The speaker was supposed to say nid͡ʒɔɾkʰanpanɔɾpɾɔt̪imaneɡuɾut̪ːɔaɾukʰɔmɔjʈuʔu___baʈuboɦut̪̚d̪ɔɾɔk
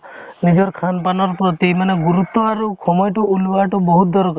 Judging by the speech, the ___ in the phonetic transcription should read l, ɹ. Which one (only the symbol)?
l